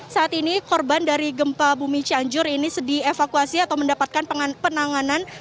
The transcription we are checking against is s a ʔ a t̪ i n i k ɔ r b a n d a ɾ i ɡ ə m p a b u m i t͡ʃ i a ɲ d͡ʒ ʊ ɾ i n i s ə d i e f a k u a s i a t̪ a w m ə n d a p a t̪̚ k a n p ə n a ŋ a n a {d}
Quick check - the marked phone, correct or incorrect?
incorrect